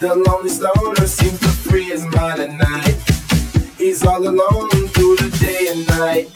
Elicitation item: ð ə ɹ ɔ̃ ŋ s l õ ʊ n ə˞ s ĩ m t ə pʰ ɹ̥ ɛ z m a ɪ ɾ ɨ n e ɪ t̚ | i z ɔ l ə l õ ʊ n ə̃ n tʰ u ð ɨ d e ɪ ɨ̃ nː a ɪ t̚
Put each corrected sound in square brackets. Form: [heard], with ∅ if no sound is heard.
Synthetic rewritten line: ð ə [l] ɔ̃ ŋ s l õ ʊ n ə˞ s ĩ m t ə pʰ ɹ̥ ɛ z m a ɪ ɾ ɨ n [a] ɪ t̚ | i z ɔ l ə l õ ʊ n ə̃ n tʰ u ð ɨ d e ɪ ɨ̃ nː a ɪ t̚